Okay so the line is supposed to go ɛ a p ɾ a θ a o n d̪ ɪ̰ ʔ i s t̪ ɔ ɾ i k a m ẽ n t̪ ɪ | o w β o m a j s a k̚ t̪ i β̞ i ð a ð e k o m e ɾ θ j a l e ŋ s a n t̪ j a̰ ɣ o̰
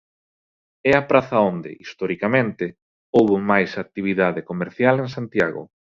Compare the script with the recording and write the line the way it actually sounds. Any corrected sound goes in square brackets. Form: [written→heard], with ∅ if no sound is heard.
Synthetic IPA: ɛ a p ɾ a θ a o n d̪ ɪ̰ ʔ i s t̪ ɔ ɾ i k a m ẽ n t̪ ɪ | o w β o m a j s a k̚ t̪ i β̞ i ð a ð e k o m e ɾ θ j a l e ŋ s a n t̪ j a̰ ɣ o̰